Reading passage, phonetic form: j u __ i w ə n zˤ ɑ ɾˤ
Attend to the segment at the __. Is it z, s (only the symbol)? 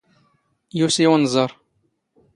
s